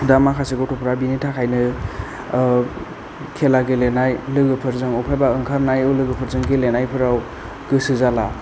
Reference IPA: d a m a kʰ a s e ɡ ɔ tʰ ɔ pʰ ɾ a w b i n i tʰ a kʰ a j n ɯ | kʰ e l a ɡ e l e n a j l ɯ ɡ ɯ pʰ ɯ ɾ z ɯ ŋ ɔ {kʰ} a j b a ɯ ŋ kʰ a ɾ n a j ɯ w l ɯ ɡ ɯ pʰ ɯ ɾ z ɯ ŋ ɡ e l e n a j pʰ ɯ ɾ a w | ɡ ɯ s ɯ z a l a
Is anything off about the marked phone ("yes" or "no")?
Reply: yes